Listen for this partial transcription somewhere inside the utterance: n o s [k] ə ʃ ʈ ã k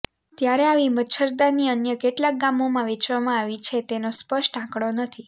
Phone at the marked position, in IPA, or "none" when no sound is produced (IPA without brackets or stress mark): p